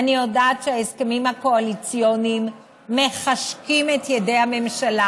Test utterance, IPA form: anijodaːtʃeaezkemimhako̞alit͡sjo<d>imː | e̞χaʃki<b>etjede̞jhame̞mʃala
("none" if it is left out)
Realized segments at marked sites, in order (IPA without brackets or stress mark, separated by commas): n, m